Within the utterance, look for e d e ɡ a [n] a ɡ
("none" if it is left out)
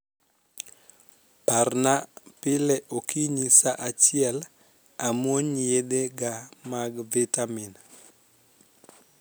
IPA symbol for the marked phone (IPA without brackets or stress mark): m